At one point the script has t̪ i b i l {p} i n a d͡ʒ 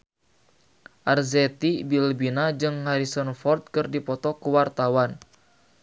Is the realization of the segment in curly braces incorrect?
yes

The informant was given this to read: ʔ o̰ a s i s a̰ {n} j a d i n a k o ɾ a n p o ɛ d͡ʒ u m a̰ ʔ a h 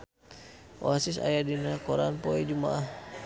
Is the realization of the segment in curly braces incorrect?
yes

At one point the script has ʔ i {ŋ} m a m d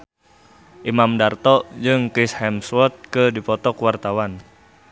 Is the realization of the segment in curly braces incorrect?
yes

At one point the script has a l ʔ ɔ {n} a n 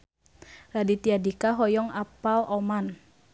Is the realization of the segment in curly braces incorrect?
yes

